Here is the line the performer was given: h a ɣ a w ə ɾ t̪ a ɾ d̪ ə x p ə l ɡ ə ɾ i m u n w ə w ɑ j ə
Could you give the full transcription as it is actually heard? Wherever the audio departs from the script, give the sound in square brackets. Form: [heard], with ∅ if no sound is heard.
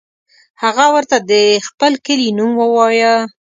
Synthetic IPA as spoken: h a ɣ a w ə ɾ t̪ a [∅] d̪ ə x p ə l [k] ə [l] i [n] u [m] w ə w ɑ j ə